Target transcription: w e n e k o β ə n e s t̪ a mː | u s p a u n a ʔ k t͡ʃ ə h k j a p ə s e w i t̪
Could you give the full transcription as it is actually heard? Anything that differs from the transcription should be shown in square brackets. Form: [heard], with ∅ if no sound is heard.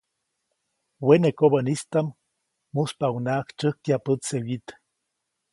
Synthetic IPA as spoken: w e n e k o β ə n [i] s t̪ a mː | u s p a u n a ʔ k t͡ʃ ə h k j a p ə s e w i t̪